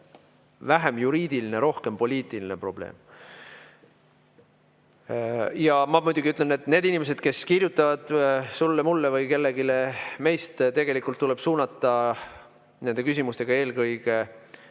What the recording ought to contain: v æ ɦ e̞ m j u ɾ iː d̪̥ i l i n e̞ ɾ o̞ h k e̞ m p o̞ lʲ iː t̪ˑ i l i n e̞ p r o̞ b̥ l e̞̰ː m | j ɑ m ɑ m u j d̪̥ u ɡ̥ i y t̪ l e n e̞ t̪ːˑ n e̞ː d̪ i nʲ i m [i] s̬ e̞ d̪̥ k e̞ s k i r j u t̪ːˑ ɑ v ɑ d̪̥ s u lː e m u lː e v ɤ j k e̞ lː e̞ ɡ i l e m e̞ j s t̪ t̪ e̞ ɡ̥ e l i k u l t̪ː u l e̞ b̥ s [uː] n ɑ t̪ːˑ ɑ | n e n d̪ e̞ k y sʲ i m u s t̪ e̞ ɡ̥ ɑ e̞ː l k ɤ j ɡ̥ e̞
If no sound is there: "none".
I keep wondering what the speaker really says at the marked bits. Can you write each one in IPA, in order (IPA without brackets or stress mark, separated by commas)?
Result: e, uː